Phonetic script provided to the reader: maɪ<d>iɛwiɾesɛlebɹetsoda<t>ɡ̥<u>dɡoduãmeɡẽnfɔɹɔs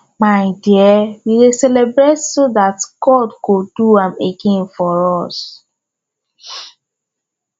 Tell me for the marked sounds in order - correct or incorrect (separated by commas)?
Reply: correct, correct, incorrect